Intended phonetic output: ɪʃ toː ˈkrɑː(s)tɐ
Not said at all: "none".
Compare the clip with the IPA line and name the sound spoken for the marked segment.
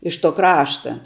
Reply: ʃ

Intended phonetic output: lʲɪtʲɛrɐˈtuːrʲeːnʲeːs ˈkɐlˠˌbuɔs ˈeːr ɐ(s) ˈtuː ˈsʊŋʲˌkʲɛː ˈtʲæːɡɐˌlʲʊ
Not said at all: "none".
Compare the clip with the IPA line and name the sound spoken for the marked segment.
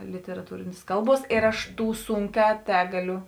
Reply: ʃ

